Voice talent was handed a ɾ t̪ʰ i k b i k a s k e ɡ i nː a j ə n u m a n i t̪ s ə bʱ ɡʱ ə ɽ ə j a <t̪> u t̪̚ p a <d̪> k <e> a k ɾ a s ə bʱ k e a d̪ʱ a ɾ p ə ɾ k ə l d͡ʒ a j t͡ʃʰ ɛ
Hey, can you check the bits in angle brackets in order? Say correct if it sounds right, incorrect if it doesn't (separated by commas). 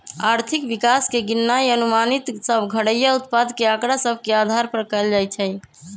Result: incorrect, correct, correct